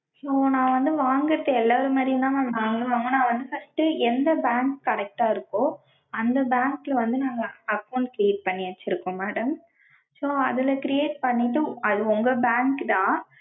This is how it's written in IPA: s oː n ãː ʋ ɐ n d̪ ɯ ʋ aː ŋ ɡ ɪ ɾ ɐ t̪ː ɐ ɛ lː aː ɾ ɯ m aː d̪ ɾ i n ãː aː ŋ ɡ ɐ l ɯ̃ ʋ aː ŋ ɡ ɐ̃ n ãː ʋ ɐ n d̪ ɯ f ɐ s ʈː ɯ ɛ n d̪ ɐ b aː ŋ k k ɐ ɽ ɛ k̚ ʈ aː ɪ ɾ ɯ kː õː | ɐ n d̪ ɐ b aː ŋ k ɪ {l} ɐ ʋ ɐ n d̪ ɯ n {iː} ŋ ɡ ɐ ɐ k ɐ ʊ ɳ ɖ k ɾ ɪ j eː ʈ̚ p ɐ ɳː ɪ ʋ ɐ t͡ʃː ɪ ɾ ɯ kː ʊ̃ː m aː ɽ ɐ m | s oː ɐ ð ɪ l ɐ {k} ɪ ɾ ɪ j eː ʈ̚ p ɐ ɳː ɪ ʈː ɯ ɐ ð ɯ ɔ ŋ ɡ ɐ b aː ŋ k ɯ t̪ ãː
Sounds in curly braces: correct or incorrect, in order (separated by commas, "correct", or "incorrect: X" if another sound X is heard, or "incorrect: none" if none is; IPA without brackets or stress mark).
correct, incorrect: aː, correct